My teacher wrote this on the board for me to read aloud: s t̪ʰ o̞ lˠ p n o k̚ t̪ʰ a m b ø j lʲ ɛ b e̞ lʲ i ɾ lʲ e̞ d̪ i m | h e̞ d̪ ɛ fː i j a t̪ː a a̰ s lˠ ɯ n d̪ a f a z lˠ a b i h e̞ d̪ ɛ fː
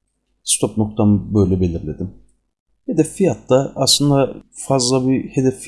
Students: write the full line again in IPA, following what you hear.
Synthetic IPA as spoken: s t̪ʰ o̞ p n o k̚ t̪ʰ a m b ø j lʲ ɛ b e̞ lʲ i ɾ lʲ e̞ d̪ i m | h e̞ d̪ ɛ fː i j a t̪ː a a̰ s lˠ ɯ n d̪ a f a z lˠ a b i h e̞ d̪ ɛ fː